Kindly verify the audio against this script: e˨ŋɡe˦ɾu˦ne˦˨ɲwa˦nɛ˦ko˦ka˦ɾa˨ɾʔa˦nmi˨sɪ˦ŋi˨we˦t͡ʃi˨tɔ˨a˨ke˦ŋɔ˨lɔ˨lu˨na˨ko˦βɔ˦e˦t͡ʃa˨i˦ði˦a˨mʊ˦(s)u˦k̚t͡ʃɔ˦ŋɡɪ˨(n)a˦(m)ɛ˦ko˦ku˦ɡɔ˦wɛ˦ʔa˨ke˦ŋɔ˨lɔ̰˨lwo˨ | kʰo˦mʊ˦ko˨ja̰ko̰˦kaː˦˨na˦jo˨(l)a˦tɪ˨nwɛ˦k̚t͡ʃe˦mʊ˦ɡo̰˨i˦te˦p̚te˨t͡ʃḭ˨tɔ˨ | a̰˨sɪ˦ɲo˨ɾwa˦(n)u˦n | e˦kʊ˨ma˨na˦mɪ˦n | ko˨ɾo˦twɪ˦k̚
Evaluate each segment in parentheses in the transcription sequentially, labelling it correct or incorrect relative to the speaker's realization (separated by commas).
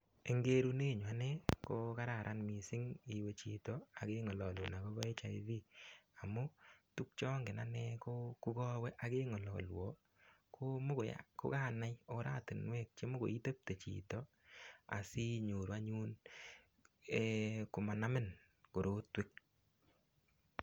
incorrect, correct, incorrect, incorrect, incorrect